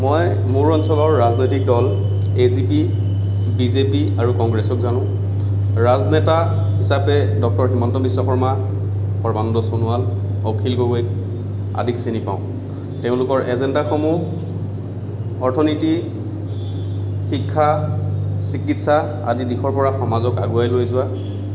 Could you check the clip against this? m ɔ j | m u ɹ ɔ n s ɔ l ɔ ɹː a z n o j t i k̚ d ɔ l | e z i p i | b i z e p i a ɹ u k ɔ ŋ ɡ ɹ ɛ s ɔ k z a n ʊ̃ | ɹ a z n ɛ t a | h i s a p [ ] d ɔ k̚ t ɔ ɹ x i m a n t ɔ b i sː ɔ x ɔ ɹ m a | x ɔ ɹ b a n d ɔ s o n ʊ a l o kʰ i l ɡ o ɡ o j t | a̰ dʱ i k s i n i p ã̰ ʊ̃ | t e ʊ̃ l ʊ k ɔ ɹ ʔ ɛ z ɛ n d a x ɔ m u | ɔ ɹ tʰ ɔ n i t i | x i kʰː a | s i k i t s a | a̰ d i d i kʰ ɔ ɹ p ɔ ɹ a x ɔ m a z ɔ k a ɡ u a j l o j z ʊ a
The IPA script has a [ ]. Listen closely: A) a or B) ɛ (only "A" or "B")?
B